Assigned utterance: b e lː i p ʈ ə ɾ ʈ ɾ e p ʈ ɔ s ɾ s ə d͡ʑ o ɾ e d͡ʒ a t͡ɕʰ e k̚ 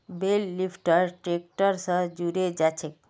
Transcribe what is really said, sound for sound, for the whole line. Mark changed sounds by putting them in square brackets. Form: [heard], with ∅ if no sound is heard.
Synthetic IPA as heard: b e lː i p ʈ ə ɾ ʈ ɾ e [k] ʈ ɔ [∅] ɾ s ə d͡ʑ [u] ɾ e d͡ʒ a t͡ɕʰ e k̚